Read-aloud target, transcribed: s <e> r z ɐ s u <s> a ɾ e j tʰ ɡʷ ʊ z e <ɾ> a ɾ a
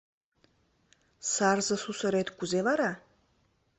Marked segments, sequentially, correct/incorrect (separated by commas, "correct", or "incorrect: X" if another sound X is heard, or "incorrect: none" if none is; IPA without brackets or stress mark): incorrect: a, correct, incorrect: l